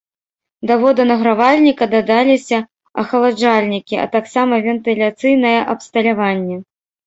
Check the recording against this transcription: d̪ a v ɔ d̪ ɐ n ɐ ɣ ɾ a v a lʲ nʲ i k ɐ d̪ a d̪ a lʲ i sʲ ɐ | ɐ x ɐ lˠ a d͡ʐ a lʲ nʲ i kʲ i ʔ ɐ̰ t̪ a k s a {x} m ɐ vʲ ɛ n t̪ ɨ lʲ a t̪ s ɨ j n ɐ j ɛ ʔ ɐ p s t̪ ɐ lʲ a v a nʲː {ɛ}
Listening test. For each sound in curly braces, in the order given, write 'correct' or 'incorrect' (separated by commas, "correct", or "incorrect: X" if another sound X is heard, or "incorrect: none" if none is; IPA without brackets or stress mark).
incorrect: none, correct